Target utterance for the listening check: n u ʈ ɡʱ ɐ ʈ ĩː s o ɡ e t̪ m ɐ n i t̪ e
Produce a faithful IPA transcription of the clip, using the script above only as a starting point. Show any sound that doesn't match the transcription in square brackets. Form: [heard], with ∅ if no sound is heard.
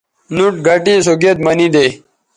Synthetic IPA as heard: n u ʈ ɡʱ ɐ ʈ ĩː s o ɡ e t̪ m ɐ n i [d̪] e